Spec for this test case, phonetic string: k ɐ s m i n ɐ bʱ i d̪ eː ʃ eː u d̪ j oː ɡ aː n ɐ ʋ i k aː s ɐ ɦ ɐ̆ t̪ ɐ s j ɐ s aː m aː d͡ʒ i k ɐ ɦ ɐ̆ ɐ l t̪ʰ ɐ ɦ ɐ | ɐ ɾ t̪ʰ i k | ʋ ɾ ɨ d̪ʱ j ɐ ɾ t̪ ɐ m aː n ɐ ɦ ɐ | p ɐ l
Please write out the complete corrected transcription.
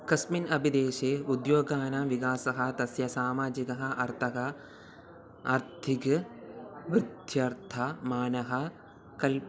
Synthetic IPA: k ɐ s m i n ɐ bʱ i d̪ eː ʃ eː u d̪ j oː ɡ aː n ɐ ʋ i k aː s ɐ ɦ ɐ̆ t̪ ɐ s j ɐ s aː m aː d͡ʒ i k ɐ ɦ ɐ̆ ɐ ɾ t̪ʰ ɐ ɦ ɐ | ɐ ɾ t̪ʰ i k | ʋ ɾ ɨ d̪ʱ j ɐ ɾ t̪ʰ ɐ m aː n ɐ ɦ ɐ | k ɐ l